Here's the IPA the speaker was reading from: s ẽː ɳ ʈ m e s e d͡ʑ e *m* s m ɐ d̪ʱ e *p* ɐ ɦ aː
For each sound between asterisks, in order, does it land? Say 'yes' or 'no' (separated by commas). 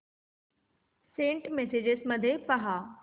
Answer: no, yes